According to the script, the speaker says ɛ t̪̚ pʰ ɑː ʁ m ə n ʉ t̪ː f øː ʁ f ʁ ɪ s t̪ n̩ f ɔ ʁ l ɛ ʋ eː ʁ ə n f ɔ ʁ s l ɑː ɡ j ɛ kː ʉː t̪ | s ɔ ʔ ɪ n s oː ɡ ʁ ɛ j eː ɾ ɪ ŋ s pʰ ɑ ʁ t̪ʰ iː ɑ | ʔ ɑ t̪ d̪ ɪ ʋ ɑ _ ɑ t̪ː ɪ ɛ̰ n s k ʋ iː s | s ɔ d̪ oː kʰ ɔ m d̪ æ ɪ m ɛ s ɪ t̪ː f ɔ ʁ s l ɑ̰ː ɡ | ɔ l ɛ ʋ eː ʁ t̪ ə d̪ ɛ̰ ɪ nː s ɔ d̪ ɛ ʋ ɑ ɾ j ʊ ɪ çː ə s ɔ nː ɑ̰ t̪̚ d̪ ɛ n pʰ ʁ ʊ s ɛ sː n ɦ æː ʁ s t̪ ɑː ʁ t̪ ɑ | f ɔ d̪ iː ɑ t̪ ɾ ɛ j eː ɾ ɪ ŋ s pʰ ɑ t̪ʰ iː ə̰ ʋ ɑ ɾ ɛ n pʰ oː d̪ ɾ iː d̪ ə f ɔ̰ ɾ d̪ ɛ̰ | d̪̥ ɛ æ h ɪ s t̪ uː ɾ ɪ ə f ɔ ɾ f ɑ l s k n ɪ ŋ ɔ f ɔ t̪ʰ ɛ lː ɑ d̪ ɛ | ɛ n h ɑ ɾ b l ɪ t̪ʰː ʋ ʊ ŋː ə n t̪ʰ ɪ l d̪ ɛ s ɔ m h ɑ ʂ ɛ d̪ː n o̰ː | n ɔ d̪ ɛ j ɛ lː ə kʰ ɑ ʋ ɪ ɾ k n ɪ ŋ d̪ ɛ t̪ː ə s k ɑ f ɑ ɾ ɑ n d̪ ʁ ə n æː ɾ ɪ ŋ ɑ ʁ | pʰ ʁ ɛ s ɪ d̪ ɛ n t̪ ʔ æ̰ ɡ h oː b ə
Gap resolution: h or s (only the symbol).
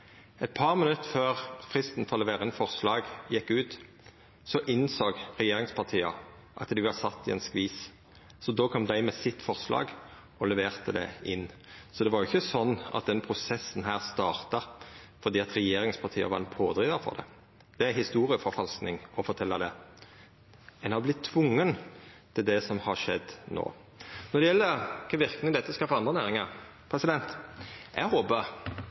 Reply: s